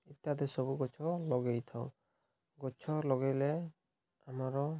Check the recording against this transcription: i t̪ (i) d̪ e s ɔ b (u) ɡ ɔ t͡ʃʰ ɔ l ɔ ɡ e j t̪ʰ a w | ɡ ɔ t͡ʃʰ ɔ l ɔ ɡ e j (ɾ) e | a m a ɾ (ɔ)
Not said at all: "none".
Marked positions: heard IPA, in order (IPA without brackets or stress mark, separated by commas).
a, u, l, ɔ